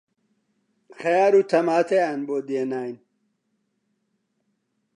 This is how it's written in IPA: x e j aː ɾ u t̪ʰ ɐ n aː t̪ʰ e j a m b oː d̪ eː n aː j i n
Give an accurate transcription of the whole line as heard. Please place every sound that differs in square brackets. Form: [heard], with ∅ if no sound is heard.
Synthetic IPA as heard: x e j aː ɾ u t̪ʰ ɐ [m] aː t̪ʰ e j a [n] b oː d̪ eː n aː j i n